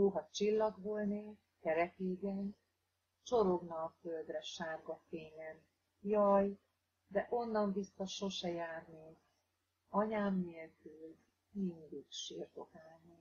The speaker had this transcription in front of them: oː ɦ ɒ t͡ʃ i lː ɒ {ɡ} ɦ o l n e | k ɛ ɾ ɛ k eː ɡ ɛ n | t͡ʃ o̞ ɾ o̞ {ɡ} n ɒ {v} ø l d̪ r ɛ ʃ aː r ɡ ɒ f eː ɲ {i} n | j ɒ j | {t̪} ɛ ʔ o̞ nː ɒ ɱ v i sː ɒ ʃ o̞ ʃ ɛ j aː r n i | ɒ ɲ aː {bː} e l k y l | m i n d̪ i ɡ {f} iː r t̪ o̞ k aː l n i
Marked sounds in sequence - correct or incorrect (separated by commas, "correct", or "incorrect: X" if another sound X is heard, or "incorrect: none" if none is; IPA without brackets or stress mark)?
correct, correct, incorrect: f, incorrect: ɛ, incorrect: d̪, incorrect: mː, incorrect: ʃ